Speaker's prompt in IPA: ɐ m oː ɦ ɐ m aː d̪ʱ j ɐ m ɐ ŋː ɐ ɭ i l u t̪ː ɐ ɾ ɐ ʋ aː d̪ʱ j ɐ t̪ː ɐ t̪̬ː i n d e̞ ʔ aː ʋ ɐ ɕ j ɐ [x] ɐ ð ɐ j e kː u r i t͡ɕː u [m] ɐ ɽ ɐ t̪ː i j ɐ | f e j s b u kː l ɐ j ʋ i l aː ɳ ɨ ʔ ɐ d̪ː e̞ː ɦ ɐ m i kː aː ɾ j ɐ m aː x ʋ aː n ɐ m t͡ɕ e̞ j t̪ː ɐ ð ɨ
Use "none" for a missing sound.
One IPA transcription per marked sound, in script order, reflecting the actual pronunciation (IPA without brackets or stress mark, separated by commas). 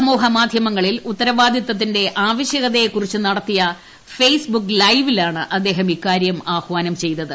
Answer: ɣ, n